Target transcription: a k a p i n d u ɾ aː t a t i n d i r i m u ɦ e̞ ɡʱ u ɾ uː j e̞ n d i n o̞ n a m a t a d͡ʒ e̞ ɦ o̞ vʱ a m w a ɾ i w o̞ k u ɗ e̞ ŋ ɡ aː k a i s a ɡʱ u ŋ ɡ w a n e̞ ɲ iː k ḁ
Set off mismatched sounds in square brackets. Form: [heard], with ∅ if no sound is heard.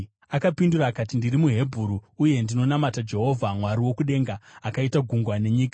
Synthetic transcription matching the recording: a k a p i n d u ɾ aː [k] a t i n d i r i m u ɦ e̞ [bʱ] u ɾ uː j e̞ n d i n o̞ n a m a t a d͡ʒ e̞ ɦ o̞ vʱ a m w a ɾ i w o̞ k u ɗ e̞ ŋ ɡ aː k a i [t] a ɡʱ u ŋ ɡ w a n e̞ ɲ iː k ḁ

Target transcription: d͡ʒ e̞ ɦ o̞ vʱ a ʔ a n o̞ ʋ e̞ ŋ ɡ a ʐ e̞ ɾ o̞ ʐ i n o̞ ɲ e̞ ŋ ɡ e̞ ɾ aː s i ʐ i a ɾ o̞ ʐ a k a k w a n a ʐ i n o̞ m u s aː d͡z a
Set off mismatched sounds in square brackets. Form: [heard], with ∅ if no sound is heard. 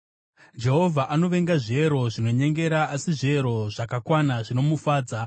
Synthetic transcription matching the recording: d͡ʒ e̞ ɦ o̞ vʱ a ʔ a n o̞ ʋ e̞ ŋ ɡ a ʐ e̞ ɾ o̞ ʐ i n o̞ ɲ e̞ ŋ ɡ e̞ ɾ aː s i ʐ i [e] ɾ o̞ ʐ a k a k w a n a ʐ i n o̞ m u [f] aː d͡z a

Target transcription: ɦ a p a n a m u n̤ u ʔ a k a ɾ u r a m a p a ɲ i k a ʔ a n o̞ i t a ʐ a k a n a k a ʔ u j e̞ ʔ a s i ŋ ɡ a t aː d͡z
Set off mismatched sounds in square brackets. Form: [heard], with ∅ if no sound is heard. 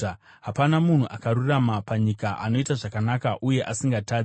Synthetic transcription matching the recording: ɦ a p a n a m u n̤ u ʔ a k a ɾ u r a m a p a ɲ i k a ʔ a n o̞ i t a ʐ a k a n a k a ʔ u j e̞ ʔ a s i ŋ ɡ a t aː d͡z

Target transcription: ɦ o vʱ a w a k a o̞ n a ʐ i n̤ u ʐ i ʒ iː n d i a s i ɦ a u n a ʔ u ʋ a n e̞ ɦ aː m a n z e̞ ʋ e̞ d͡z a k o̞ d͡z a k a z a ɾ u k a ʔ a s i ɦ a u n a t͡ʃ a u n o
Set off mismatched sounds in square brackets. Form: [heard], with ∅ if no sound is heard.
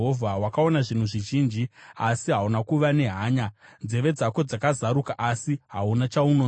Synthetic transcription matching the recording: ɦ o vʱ a w a k a o̞ n a ʐ i n̤ u ʐ i ʒ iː n [d͡ʒ] i a s i ɦ a u n a [k] u ʋ a n e̞ ɦ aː [ɲ] a n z e̞ ʋ e̞ d͡z a k o̞ d͡z a k a z a ɾ u k a ʔ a s i ɦ a u n a t͡ʃ a u n o

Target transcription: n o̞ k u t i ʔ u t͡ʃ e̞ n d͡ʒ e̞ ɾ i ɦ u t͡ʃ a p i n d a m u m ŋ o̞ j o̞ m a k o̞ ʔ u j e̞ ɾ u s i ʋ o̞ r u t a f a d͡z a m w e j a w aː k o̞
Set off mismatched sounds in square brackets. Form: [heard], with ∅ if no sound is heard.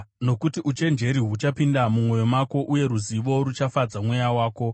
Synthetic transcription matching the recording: n o̞ k u t i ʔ u t͡ʃ e̞ n d͡ʒ e̞ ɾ i ɦ u t͡ʃ a p i n d a m u m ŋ o̞ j o̞ m a k o̞ ʔ u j e̞ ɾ u [z] i ʋ o̞ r u [t͡ʃ] a f a d͡z a m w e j a w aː k o̞

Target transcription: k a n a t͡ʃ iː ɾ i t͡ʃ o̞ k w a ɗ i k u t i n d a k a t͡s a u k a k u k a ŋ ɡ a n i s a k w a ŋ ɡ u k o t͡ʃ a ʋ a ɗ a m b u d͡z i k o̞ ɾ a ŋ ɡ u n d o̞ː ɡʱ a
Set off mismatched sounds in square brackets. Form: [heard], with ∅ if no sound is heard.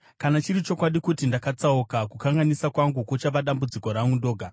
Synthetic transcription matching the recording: k a n a t͡ʃ [i] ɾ i t͡ʃ o̞ k w a ɗ i k u t i n d a k a t͡s a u k a k u k a ŋ ɡ a n i s a k w a ŋ ɡ u k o t͡ʃ a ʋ a ɗ a m b u d͡z i k o̞ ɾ a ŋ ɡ u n d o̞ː ɡʱ a

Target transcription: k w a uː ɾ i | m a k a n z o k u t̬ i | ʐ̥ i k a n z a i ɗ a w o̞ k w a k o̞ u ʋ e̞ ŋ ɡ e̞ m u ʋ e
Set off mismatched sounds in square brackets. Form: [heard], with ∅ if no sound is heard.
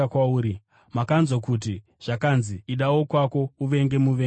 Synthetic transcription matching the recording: k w a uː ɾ i | m a k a n z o k u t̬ i | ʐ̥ [a] k a n z [i] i ɗ a w o̞ k w a k o̞ u ʋ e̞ ŋ ɡ e̞ m u ʋ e

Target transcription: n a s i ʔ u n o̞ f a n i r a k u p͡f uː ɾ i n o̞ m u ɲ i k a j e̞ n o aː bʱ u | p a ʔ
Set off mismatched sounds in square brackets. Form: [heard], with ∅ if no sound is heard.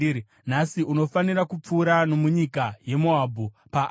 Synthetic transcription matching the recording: n a s i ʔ u n o̞ f a n i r a k u p͡f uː ɾ [a] n o̞ m u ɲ i k a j e̞ [m] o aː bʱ u | p a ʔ

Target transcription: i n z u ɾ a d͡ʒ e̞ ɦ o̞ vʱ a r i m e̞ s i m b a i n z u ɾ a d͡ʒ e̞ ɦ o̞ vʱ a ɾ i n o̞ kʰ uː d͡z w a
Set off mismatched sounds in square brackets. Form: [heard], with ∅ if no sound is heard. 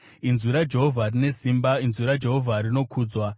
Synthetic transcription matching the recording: i n z u ɾ a d͡ʒ e̞ ɦ o̞ vʱ a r i [n] e̞ s i m b a i n z u ɾ a d͡ʒ e̞ ɦ o̞ vʱ a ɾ i n o̞ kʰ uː d͡z w a

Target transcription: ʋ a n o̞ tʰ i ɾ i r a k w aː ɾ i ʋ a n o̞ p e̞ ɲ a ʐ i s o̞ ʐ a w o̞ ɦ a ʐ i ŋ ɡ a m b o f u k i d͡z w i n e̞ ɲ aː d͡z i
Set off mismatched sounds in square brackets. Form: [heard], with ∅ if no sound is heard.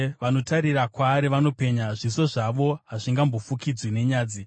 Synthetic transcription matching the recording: ʋ a n o̞ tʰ [a] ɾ i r a k w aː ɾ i ʋ a n o̞ p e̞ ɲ a ʐ i s o̞ ʐ a [ʋ] o̞ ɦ a ʐ i ŋ ɡ a m b o f u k i d͡z w i n e̞ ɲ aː d͡z i

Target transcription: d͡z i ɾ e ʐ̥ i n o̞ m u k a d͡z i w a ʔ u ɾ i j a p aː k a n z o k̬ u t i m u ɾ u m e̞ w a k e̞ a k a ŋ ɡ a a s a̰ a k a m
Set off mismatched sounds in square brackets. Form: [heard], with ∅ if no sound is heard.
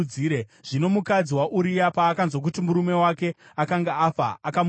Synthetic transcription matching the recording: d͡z i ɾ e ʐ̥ i n o̞ m u k a d͡z i w a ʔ u ɾ i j a p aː k a n z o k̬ u t i m u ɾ u m e̞ w a k e̞ a k a ŋ ɡ a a [f] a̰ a k a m

